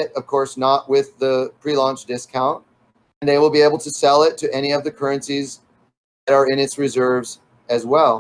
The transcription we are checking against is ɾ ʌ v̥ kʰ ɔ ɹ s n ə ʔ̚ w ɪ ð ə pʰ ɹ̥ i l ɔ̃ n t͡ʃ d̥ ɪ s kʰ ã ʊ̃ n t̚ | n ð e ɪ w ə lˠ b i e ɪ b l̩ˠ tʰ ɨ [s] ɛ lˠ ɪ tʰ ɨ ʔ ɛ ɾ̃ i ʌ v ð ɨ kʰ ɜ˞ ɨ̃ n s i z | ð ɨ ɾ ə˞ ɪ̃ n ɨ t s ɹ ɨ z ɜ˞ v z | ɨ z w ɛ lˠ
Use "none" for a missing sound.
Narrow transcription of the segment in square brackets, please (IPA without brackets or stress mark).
s